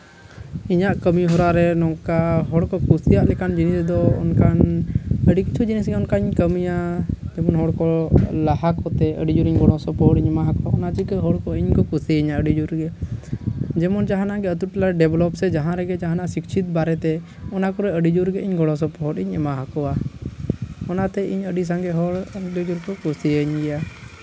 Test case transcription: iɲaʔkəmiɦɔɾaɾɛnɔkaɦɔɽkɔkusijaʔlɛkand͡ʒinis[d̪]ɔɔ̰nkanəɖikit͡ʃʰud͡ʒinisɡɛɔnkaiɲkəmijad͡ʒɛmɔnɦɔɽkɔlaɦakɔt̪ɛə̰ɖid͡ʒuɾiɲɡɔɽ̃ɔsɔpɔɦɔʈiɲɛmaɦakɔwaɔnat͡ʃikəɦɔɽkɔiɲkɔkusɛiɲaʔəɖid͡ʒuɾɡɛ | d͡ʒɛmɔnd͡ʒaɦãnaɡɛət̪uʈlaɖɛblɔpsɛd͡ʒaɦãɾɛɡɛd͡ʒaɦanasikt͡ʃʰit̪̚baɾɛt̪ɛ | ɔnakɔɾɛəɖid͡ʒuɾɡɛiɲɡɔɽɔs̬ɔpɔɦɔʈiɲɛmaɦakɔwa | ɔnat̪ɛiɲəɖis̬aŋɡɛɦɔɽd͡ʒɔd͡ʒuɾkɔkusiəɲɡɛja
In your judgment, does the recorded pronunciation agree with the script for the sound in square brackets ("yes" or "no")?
yes